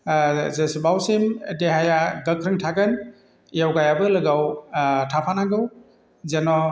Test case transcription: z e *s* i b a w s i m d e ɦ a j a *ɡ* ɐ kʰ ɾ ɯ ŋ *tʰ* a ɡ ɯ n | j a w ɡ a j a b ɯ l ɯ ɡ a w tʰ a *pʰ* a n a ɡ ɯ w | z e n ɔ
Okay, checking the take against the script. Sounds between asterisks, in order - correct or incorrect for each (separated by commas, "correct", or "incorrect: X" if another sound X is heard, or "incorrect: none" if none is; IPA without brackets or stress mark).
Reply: correct, correct, correct, correct